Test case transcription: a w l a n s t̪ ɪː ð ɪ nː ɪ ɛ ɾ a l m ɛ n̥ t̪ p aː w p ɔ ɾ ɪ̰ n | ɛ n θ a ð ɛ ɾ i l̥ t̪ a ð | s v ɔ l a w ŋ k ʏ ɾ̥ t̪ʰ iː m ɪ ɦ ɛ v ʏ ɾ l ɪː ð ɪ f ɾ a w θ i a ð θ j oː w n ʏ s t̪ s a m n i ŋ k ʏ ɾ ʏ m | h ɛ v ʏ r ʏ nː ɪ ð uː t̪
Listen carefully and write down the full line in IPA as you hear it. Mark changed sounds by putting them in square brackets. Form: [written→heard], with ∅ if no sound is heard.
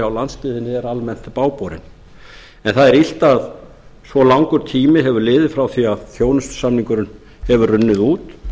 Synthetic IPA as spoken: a w l a n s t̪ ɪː ð ɪ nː ɪ ɛ ɾ a l m ɛ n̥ t̪ p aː w p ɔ ɾ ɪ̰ n | ɛ n θ a ð ɛ ɾ i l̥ t̪ a ð | s v ɔ l a w ŋ k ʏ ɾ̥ t̪ʰ iː m ɪ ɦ ɛ v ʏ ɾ l ɪː ð ɪ f ɾ a w θ i a ð θ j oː w n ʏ s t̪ s a m n i ŋ k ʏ ɾ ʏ [m→n] | h ɛ v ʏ r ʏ nː ɪ ð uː t̪